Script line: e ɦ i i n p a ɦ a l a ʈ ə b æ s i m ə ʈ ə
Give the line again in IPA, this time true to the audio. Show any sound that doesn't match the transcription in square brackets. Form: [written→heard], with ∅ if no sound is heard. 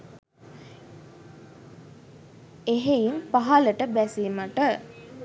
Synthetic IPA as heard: e ɦ [i→e] i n p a ɦ a l [a→ə] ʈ ə b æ s i m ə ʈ ə